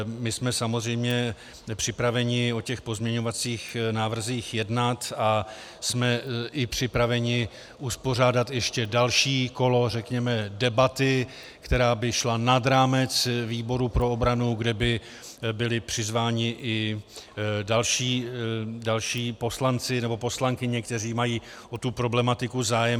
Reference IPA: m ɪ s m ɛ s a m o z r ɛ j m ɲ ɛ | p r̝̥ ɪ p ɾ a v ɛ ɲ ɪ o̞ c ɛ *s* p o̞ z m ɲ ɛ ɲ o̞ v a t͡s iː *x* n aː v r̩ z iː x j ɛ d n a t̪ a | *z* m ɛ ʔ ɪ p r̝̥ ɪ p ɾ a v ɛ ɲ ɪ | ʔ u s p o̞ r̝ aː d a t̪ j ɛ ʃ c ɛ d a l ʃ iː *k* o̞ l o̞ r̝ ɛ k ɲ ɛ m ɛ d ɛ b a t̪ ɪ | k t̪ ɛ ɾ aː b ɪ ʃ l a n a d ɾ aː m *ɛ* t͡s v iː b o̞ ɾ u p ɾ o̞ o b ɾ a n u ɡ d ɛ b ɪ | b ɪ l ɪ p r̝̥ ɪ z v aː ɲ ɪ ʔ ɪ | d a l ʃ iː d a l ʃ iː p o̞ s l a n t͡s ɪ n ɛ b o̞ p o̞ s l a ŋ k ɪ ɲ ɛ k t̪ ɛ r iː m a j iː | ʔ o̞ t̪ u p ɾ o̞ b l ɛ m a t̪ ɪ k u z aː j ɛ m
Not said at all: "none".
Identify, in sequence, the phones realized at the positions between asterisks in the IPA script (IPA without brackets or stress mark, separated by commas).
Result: x, x, s, k, ɛ